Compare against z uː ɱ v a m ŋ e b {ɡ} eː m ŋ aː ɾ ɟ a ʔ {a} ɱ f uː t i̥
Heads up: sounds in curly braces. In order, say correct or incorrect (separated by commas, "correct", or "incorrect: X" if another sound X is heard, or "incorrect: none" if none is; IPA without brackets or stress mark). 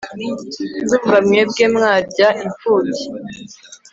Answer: correct, incorrect: i